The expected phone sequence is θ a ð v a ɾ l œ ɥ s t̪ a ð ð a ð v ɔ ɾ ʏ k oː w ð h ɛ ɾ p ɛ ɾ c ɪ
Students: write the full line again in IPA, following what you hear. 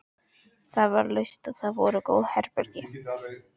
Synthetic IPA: θ a ð v a ɾ l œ ɥ s t̪ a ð θ a ð v ɔ ɾ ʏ k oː w ð h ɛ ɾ p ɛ ɾ c ɪ